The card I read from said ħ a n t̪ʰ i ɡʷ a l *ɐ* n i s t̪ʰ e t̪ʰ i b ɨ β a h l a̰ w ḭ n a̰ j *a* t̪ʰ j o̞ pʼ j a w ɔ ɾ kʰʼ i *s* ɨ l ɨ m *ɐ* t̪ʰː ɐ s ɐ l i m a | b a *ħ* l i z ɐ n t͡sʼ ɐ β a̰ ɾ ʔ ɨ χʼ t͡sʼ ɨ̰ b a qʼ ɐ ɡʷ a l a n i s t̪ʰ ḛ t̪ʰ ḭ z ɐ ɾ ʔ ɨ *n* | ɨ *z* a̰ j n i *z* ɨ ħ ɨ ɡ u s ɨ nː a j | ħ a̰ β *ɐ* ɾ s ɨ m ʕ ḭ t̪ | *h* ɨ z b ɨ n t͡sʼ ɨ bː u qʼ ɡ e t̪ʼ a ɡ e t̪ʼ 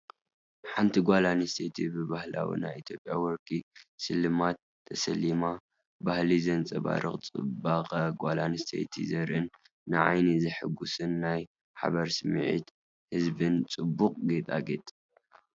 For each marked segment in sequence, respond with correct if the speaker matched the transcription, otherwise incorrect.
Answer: incorrect: a, incorrect: i, correct, incorrect: a, incorrect: h, incorrect: nː, incorrect: ʕ, correct, correct, correct

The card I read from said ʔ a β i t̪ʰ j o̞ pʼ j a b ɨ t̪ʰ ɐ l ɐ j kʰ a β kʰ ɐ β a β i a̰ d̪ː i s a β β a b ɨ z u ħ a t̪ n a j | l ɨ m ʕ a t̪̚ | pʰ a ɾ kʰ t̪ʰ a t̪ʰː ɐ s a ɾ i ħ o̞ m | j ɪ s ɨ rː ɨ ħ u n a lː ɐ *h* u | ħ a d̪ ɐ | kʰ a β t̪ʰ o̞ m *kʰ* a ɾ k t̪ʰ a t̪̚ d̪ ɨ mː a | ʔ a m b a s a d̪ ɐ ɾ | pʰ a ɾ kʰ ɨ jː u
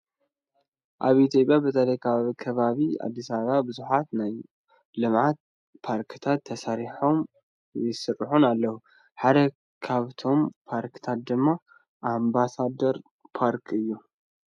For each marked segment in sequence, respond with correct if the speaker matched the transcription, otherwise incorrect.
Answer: correct, incorrect: pʰ

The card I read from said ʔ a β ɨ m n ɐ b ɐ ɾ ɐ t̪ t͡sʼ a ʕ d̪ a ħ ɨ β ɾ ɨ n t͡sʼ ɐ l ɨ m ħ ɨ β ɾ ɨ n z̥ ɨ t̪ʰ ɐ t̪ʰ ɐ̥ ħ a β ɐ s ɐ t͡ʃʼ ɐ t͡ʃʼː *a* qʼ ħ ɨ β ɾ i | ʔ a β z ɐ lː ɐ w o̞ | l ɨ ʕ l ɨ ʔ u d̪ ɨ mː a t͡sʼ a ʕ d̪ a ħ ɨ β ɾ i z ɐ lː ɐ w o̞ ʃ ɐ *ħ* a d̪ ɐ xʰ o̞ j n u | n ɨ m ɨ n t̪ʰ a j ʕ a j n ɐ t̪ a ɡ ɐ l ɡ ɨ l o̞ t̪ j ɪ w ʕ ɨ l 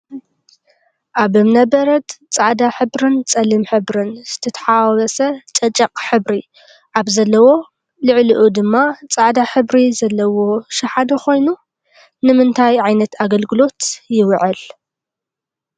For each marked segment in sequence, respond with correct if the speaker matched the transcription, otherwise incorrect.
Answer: incorrect: ɐ, correct

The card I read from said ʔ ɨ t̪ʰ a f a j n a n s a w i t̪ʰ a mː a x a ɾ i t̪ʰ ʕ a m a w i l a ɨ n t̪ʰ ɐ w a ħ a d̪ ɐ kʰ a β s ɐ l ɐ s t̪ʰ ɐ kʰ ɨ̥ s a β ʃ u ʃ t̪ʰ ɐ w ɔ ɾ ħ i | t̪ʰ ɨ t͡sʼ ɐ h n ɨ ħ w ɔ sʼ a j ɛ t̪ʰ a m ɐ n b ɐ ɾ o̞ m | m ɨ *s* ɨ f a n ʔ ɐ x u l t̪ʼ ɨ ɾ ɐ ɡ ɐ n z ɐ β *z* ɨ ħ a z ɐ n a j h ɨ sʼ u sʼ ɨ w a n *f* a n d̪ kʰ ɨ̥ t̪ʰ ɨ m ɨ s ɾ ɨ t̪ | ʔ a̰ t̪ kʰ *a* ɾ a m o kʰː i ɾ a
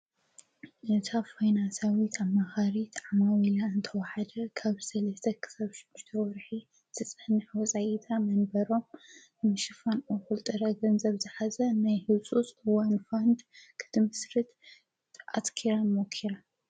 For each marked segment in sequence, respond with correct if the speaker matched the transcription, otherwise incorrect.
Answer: incorrect: ʃ, correct, correct, incorrect: i

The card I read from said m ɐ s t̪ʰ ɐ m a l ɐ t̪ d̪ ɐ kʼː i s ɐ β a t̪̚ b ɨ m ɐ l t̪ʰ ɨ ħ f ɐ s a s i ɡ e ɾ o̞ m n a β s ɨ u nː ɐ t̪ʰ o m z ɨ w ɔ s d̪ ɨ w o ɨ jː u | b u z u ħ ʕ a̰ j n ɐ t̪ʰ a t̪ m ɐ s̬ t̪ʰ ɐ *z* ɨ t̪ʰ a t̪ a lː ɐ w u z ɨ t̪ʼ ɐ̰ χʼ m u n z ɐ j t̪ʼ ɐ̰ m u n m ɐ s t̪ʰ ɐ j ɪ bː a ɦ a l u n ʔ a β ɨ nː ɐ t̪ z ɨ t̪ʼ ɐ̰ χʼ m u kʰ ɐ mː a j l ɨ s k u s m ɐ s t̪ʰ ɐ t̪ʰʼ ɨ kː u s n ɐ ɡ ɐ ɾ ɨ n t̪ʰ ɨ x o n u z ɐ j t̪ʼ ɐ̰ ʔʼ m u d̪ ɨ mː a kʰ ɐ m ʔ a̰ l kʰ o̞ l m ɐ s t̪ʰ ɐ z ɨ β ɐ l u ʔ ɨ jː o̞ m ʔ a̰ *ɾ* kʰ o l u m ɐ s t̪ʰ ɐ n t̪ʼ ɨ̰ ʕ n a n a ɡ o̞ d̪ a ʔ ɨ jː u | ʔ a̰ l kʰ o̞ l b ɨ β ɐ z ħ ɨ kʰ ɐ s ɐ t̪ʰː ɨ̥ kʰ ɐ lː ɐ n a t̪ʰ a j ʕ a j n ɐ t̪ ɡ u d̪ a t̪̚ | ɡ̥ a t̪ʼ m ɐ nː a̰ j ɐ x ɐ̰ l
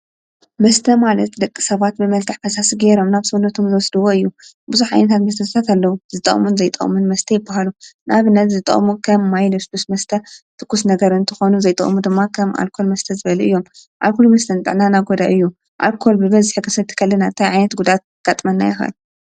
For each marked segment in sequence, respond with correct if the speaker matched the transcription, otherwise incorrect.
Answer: incorrect: s, incorrect: l

